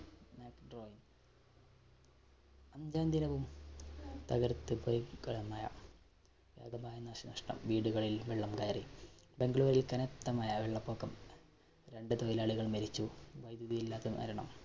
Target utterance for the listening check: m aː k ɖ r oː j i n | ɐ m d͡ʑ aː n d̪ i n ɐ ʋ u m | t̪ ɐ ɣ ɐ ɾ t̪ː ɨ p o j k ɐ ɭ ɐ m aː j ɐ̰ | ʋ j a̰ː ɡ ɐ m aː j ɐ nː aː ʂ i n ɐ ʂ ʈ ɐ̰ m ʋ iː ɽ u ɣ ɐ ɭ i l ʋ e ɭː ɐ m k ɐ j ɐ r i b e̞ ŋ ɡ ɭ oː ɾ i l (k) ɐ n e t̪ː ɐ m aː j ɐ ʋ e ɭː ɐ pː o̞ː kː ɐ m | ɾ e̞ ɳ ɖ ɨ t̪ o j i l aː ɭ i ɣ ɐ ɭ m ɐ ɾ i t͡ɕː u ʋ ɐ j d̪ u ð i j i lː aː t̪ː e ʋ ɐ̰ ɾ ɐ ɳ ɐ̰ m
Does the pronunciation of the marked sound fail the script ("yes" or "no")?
no